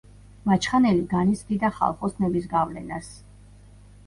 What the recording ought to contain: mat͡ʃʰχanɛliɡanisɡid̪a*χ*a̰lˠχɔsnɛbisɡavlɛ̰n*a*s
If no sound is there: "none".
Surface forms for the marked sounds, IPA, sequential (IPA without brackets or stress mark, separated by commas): χ, a